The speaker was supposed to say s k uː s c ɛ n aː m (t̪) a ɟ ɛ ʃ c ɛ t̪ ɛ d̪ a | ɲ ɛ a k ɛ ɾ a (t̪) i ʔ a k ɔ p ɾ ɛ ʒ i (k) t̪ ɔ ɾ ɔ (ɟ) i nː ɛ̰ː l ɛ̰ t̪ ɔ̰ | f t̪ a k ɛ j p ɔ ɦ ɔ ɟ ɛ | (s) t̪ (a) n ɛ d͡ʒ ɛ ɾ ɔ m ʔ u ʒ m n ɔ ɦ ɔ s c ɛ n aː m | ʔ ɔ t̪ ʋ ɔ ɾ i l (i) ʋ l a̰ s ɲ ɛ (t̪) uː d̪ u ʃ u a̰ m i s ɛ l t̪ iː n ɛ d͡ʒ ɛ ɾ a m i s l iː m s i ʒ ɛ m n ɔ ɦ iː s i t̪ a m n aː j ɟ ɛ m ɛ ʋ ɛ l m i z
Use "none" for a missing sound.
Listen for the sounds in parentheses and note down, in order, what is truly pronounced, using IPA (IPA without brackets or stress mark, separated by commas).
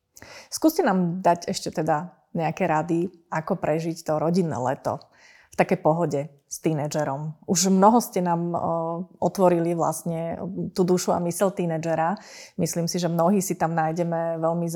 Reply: d̪, d̪, c, ɟ, s, i, i, t̪